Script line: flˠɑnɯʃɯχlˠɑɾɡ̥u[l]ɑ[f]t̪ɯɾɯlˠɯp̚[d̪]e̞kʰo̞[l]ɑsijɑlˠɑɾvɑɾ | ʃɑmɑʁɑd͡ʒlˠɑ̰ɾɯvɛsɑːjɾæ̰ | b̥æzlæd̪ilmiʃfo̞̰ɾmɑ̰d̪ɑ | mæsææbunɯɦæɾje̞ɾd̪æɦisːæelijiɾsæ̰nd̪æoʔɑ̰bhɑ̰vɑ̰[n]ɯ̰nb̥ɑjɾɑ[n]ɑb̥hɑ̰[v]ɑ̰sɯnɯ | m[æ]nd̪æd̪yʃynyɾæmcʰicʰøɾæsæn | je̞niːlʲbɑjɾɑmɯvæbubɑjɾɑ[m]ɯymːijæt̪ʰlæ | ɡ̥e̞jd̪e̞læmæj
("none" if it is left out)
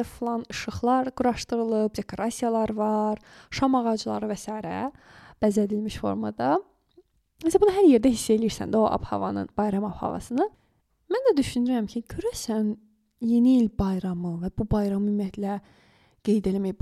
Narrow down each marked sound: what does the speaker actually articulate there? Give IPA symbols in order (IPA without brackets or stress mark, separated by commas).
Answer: ɾ, ʃ, d̪, ɾ, n, m, v, æ, m